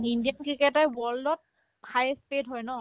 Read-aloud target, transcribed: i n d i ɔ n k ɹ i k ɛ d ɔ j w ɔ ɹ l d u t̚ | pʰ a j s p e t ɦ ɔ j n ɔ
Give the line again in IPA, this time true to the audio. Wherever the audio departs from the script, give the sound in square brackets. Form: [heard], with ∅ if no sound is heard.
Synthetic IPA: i n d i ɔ n k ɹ i k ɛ [t] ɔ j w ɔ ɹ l d [ɔ] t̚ | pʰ a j s p e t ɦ ɔ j n ɔ